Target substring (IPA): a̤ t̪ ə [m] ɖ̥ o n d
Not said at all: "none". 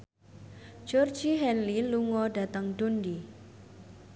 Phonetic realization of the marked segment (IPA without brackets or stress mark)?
ŋ